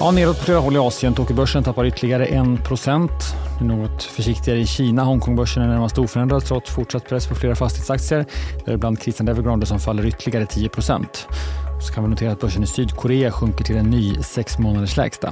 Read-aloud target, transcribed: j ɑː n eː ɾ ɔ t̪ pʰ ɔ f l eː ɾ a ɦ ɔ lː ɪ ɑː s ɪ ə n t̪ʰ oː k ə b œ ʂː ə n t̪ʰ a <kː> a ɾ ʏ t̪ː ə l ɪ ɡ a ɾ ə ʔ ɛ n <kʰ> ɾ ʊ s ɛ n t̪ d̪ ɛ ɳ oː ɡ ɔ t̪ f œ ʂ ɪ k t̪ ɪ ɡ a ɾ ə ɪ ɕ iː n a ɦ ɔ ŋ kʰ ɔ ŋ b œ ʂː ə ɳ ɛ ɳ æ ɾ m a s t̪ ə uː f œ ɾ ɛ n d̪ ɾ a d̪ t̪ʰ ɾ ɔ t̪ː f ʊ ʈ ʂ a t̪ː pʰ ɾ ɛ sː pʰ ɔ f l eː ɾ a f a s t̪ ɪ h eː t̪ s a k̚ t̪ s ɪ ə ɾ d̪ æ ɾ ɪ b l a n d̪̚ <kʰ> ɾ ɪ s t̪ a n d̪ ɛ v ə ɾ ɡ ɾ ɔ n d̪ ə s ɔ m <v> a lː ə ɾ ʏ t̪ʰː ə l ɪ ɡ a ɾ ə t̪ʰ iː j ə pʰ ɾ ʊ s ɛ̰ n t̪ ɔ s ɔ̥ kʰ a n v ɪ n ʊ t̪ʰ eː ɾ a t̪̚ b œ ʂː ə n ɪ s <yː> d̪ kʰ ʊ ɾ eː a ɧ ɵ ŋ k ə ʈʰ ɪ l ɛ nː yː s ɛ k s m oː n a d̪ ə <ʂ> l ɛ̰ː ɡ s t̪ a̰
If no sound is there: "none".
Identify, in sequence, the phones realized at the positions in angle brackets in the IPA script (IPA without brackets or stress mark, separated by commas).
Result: pː, pʰ, kʰ, f, yː, ʂ